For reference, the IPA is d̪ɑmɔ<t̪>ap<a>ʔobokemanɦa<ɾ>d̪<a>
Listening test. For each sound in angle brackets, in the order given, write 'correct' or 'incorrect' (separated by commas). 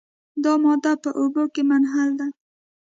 incorrect, incorrect, incorrect, correct